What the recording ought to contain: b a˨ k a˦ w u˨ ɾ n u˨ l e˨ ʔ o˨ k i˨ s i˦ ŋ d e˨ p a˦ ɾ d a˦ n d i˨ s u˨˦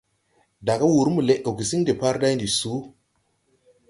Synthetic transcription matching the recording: d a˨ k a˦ w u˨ ɾ m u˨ l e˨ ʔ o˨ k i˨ s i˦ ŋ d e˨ p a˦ ɾ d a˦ n d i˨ s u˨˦

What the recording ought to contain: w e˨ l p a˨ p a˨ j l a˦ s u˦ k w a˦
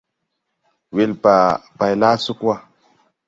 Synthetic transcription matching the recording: w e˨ l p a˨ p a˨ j l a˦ s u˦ k w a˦

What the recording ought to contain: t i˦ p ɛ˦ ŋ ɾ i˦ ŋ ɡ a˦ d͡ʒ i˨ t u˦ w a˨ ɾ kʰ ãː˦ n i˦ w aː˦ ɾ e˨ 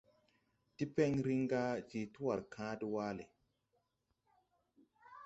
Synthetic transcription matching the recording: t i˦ p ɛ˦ ŋ ɾ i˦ ŋ ɡ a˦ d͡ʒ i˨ t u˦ w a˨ ɾ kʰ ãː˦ d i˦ w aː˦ l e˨

